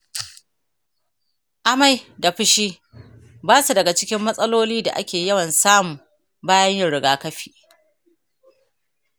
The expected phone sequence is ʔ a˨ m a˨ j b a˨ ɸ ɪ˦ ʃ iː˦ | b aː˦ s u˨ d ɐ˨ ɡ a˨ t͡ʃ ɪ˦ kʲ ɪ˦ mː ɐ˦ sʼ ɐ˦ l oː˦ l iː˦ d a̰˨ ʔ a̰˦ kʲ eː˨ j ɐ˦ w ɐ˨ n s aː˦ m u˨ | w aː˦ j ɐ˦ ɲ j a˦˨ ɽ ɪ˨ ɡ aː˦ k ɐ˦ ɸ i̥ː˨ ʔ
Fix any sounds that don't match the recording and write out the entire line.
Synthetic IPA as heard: ʔ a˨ m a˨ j d a˨ ɸ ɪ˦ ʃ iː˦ | b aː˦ s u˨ d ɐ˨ ɡ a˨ t͡ʃ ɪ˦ kʲ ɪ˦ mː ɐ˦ sʼ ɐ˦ l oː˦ l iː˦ d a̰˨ ʔ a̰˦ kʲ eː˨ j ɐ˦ w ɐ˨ n s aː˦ m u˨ | b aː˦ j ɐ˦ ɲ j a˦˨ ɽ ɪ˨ ɡ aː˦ k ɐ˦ ɸ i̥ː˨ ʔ